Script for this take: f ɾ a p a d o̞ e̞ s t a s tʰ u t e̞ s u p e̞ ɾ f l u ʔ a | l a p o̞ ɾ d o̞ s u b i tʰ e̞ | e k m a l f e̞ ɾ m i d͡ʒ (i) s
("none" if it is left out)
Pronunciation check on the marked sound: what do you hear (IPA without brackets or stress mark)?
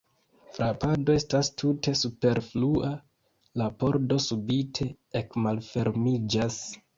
a